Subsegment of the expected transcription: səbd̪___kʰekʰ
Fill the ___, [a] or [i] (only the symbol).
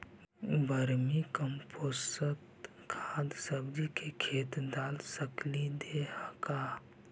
i